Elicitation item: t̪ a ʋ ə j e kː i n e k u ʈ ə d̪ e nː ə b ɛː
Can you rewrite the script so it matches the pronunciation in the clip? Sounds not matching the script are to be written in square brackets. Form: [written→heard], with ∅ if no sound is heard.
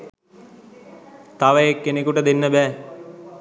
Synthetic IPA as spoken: t̪ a ʋ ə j e kː [i→e] n e k u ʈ ə d̪ e nː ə b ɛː